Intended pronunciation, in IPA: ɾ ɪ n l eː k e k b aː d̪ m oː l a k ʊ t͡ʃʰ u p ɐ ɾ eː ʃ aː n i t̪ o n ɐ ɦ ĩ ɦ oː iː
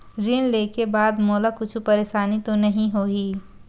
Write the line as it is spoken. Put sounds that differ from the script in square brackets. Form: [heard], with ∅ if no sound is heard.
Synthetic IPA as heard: ɾ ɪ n l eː k e [∅] b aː d̪ m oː l a k ʊ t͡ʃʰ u p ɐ ɾ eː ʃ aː n i t̪ o n ɐ ɦ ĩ ɦ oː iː